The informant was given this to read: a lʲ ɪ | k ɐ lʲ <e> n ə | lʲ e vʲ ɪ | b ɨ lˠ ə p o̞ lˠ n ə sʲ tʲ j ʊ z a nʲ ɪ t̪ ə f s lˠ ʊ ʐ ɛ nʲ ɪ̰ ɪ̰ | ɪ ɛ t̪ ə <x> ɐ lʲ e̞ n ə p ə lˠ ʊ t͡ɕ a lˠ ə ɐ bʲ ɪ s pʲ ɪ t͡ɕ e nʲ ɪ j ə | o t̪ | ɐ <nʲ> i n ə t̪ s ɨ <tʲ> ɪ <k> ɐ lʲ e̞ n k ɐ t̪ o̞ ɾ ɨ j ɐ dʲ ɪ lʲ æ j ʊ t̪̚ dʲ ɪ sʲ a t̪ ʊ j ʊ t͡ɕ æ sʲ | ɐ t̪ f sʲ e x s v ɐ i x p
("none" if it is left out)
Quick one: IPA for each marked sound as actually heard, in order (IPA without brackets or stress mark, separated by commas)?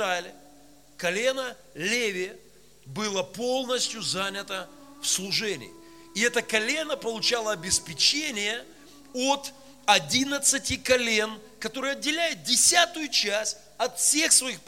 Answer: e, k, dʲ, tʲ, k